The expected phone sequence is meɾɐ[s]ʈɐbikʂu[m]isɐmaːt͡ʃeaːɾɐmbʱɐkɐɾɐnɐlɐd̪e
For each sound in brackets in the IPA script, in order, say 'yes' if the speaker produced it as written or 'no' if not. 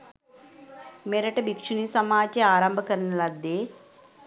no, no

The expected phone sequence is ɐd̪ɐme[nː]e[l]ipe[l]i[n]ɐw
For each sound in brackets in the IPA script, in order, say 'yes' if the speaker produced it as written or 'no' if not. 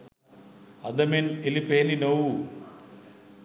no, yes, yes, yes

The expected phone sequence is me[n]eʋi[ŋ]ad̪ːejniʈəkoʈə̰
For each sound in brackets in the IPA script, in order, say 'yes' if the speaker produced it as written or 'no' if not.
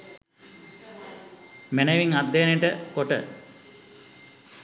yes, yes

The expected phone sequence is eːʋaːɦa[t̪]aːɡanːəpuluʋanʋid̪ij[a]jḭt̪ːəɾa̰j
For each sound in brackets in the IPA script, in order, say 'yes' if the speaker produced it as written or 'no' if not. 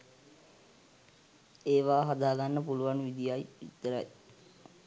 no, yes

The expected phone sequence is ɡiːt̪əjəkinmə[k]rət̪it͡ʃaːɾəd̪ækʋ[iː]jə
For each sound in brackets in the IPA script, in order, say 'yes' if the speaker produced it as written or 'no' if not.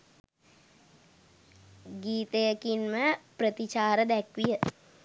no, no

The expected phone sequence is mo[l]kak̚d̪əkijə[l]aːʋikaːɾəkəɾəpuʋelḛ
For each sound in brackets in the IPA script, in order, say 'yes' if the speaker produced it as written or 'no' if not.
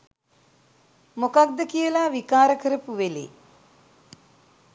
no, yes

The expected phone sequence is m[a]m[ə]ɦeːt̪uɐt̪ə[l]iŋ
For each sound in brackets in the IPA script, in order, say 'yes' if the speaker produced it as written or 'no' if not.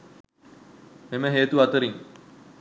no, yes, no

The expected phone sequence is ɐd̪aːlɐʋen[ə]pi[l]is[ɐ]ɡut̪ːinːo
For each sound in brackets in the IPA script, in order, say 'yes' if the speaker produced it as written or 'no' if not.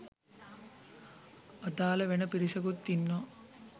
no, no, yes

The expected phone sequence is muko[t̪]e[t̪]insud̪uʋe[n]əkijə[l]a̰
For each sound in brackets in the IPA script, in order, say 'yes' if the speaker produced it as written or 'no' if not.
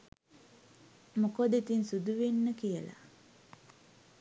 no, yes, no, yes

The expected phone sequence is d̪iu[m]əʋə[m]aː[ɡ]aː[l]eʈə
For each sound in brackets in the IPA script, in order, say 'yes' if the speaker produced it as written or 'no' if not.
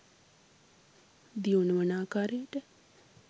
no, no, no, no

